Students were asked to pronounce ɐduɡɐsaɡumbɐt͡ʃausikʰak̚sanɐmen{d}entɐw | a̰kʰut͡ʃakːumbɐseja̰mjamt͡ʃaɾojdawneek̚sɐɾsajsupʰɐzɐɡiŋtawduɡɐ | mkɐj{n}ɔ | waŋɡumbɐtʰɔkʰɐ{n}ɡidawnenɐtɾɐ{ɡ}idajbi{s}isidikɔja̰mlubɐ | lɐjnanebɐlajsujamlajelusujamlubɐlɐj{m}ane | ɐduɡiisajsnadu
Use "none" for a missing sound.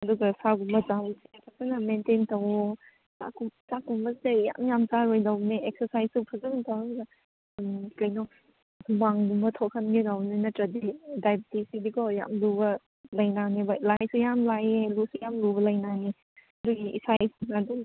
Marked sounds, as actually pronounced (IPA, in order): t, n, n, d, t, n

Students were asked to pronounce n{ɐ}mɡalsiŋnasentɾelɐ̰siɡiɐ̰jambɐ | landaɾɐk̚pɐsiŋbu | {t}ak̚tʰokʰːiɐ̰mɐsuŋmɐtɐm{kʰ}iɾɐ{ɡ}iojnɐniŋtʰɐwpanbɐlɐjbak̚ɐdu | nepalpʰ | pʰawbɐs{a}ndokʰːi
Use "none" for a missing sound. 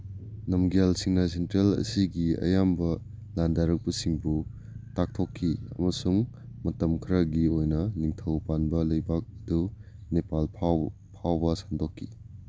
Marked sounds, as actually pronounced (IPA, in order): ɐ, t, kʰ, ɡ, a

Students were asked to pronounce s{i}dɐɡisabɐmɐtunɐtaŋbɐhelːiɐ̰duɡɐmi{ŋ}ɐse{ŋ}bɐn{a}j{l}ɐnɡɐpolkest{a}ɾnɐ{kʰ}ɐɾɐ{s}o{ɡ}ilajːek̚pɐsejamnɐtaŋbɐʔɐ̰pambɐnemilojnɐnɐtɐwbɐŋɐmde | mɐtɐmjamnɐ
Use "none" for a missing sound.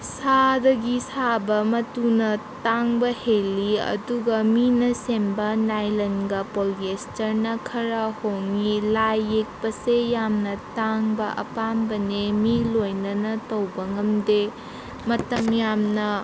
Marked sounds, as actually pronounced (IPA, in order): a, n, m, a, l, ɐ, kʰ, h, ŋ

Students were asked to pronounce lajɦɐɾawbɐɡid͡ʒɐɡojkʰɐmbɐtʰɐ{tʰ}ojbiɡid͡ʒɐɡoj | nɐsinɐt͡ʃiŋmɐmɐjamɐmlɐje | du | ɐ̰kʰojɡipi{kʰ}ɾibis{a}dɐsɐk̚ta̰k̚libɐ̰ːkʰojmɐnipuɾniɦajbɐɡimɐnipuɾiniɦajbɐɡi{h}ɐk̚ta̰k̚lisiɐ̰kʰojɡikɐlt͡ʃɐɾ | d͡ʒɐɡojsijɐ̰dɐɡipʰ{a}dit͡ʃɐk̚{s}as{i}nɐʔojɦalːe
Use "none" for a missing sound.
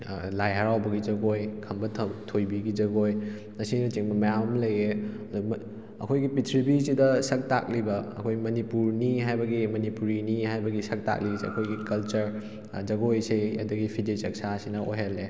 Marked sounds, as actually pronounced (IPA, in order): tʰ, tʰ, i, s, i, s, i

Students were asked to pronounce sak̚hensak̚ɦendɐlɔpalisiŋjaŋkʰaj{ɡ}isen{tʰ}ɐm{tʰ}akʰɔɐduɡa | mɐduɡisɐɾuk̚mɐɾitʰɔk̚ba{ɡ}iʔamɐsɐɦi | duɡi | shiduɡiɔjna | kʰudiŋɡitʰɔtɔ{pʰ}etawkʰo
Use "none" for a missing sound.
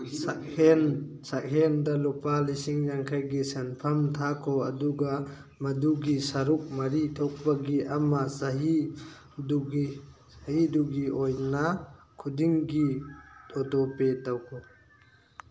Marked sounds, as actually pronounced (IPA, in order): ɡ, pʰ, tʰ, ɡ, p

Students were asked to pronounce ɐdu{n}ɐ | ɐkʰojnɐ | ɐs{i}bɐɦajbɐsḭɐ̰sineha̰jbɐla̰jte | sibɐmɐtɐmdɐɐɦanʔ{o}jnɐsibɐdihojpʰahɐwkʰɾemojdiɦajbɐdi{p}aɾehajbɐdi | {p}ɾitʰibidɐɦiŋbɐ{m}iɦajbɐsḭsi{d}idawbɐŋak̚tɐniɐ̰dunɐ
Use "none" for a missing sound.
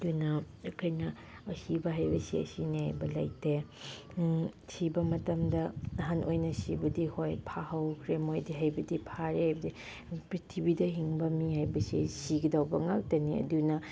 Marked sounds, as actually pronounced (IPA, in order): n, i, o, pʰ, p, m, ɡ

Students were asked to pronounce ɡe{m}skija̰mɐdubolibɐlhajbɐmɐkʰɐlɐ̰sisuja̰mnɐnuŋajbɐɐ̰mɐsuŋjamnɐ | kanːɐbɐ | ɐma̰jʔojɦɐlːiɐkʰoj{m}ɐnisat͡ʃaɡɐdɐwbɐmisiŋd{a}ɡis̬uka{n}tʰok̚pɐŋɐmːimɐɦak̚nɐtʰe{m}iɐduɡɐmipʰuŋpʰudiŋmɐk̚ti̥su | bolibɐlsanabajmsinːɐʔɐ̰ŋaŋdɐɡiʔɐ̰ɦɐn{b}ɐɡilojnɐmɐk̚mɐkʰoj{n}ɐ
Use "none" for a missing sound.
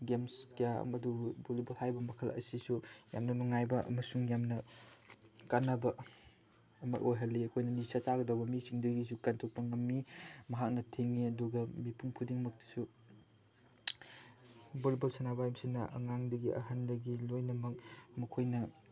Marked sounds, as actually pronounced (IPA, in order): m, n, ɐ, n, ŋ, d, n

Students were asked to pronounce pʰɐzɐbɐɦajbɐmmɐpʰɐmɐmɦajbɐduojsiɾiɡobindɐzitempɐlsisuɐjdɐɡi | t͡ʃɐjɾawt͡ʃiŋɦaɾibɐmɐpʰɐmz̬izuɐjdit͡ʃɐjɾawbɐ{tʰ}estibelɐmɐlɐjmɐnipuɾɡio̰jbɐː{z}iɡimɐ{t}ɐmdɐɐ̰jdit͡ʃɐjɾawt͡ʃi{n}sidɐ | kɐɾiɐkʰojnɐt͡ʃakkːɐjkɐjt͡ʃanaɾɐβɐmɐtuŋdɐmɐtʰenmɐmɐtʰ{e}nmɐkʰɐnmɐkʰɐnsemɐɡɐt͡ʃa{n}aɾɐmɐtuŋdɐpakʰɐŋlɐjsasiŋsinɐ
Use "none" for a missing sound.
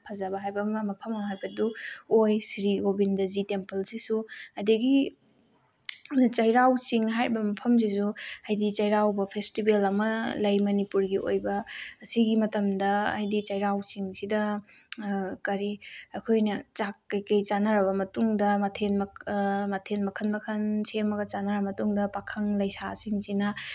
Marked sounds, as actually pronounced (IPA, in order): pʰ, s, t, ŋ, e, n

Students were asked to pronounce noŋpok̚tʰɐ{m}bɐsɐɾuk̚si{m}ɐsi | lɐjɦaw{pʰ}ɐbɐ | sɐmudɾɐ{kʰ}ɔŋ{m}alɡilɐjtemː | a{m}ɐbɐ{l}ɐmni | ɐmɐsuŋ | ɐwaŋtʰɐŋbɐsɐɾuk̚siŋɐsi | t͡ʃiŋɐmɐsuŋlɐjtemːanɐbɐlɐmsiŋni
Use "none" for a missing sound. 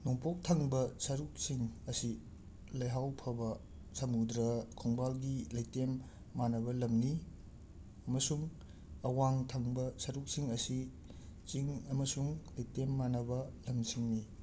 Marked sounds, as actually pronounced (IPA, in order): ŋ, ŋ, pʰ, kʰ, b, n, l

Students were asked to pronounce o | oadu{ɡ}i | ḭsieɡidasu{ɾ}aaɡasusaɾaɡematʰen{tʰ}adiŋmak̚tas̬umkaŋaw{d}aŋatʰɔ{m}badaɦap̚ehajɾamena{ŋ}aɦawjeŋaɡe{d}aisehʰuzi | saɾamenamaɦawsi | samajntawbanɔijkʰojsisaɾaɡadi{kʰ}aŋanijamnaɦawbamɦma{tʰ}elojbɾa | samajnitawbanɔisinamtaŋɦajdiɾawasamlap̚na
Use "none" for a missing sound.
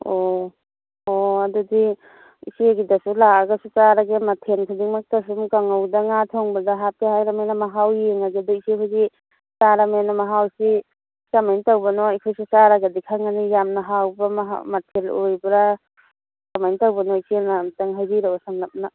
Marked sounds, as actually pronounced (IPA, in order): d, l, kʰ, d, ŋ, m, d, kʰ, tʰ

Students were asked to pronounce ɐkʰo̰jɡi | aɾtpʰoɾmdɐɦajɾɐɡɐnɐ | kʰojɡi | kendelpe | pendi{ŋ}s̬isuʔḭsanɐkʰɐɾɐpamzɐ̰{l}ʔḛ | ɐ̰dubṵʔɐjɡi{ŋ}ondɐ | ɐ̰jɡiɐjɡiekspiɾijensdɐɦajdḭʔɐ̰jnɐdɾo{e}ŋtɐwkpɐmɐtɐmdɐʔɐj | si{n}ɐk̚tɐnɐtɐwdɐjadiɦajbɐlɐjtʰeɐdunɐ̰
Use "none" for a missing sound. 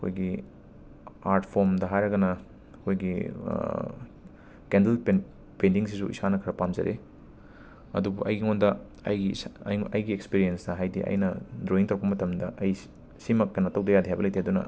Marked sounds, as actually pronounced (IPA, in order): ŋ, ɾ, ŋ, i, m

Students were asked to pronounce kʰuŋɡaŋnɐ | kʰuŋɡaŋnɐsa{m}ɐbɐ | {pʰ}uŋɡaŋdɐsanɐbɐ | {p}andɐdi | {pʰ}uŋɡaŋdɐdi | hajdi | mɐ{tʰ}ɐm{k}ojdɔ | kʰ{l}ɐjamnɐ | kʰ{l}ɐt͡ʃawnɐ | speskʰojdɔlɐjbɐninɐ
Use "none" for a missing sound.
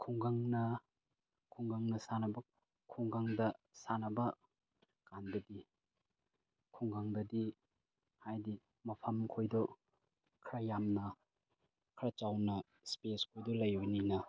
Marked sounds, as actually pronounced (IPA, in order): n, kʰ, k, kʰ, pʰ, kʰ, ɾ, ɾ

